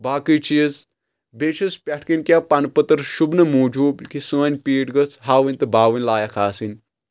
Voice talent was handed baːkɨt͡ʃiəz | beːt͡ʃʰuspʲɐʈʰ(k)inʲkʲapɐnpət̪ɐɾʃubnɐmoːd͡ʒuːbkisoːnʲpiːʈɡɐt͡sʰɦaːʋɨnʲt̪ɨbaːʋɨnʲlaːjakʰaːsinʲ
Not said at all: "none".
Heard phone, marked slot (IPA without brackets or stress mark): k